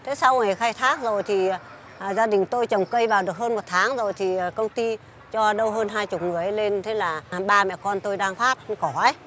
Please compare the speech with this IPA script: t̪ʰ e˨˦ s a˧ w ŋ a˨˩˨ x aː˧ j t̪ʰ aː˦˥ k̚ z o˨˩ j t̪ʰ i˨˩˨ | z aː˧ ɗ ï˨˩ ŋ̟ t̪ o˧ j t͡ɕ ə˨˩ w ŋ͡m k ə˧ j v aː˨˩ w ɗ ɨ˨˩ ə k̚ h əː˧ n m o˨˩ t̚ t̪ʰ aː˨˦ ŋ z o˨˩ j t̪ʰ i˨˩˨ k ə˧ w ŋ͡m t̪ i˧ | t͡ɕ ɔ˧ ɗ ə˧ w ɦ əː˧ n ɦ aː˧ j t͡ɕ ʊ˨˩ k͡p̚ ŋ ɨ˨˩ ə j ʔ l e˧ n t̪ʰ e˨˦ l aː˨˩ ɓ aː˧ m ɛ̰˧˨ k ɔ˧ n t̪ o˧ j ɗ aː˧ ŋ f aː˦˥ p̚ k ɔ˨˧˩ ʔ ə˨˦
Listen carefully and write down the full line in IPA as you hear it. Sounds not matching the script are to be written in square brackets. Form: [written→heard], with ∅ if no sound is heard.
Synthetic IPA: t̪ʰ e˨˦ s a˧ w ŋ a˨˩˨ x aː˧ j t̪ʰ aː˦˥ k̚ z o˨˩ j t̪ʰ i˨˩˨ | z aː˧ ɗ ï˨˩ ŋ̟ t̪ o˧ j t͡ɕ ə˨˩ w ŋ͡m k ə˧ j v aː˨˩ w ɗ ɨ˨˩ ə k̚ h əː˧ n m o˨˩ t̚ t̪ʰ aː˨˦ ŋ z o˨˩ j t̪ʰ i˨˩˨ k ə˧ w ŋ͡m t̪ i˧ | t͡ɕ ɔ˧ ɗ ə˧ w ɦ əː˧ n ɦ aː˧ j t͡ɕ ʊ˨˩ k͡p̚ ŋ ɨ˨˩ ə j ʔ l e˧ n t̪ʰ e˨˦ l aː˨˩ ɓ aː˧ m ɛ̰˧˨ k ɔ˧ n t̪ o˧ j ɗ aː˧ ŋ f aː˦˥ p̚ k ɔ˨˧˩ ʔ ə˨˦